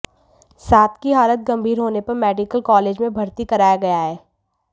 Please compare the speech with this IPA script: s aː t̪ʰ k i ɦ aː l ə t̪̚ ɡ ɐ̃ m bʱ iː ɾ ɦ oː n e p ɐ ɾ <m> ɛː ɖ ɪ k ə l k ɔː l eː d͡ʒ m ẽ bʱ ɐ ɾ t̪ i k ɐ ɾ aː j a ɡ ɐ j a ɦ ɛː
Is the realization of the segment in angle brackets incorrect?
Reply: no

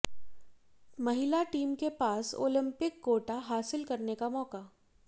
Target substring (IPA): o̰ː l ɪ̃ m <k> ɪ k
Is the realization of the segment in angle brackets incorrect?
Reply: yes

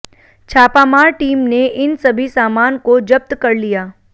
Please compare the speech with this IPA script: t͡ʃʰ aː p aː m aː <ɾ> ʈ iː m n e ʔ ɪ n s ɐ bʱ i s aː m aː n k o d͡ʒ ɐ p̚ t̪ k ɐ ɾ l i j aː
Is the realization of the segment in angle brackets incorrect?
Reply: no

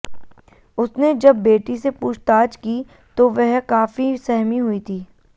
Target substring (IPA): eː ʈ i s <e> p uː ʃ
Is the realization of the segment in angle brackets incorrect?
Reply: no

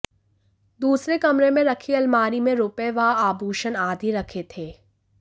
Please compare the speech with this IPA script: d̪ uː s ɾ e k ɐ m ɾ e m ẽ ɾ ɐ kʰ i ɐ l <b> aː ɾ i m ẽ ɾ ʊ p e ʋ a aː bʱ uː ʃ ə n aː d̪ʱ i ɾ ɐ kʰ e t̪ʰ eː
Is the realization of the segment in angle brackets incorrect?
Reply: yes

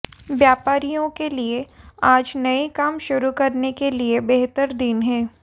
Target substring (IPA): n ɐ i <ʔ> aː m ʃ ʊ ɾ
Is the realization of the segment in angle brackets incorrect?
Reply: yes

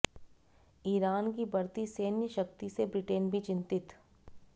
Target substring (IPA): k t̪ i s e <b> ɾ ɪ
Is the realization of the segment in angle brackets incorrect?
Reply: no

